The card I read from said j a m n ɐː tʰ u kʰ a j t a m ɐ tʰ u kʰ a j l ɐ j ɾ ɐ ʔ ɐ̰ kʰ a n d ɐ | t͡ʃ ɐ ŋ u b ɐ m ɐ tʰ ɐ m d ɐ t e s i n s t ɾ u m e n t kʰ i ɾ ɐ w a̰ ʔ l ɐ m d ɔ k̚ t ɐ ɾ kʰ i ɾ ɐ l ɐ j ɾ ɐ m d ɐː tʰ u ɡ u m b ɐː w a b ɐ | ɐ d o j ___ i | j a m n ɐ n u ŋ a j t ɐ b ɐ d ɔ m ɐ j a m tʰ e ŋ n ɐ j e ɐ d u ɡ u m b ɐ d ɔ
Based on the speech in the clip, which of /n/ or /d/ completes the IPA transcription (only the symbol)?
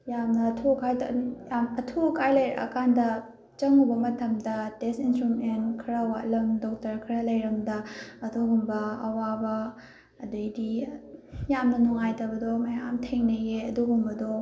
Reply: d